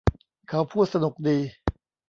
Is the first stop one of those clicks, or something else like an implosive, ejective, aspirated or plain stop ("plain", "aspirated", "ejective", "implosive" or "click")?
aspirated